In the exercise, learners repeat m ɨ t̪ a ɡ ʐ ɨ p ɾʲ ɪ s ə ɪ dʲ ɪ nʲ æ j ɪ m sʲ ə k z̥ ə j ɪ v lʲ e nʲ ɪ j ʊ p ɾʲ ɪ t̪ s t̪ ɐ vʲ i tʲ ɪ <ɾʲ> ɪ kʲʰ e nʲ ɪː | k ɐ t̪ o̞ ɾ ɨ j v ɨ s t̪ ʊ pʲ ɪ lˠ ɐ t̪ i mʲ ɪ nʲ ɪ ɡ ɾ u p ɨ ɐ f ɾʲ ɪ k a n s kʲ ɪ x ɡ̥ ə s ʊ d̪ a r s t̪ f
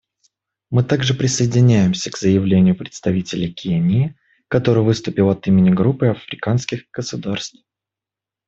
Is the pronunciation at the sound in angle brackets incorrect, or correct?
incorrect